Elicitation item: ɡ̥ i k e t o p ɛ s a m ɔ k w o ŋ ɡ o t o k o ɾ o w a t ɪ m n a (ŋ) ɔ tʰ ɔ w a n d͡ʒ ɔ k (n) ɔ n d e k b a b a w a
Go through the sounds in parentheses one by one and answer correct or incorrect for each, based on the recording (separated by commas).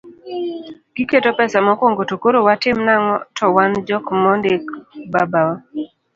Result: correct, incorrect